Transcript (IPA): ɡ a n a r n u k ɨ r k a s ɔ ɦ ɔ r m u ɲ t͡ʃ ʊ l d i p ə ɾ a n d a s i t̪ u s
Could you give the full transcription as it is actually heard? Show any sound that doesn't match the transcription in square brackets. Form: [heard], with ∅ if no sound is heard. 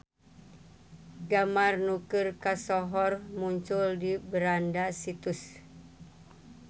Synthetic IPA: ɡ a [m] a r n u k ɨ r k a s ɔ ɦ ɔ r m u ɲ t͡ʃ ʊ l d i [b] ə ɾ a n d a s i t̪ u s